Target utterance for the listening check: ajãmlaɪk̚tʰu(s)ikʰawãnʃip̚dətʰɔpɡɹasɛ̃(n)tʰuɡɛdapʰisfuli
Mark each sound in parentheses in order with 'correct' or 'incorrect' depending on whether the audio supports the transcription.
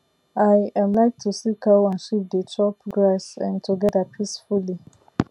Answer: correct, correct

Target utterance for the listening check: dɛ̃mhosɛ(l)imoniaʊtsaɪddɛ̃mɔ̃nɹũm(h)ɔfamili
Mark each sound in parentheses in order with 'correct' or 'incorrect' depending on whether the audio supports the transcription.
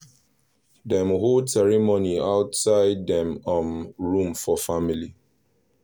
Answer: incorrect: ɹ, incorrect: f

